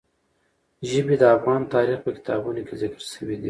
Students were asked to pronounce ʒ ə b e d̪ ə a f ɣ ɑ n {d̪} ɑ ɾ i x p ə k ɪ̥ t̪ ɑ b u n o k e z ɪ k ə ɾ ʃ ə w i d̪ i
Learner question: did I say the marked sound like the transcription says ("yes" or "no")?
no